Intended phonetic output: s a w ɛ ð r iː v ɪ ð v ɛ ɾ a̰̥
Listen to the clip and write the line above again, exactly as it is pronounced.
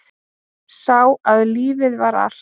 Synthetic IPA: s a w a ð l iː v ɪ ð v a ɾ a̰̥